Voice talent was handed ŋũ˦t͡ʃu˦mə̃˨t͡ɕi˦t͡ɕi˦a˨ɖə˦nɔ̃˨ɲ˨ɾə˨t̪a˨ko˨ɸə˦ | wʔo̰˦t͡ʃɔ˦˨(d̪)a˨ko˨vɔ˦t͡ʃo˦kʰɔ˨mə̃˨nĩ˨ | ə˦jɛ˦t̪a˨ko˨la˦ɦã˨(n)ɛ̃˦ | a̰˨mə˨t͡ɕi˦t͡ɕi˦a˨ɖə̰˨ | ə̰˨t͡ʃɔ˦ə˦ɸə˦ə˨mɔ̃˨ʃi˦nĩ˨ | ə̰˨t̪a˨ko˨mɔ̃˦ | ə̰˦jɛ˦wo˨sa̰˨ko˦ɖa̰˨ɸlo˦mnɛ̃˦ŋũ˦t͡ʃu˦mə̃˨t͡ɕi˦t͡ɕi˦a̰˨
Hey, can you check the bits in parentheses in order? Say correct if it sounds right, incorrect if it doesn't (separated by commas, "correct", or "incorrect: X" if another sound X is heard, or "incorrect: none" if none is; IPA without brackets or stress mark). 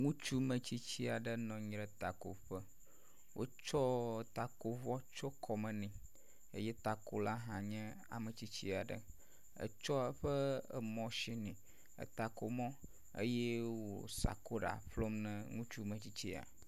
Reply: incorrect: t̪, incorrect: ɲ